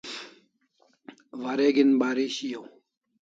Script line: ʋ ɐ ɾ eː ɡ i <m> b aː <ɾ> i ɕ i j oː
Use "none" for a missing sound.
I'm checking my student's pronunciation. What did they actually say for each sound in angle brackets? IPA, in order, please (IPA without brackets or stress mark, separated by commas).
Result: n, ɾ